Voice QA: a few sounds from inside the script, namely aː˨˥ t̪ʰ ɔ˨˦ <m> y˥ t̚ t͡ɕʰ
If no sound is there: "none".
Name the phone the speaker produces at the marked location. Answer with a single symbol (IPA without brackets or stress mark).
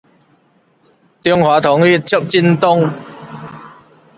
ŋ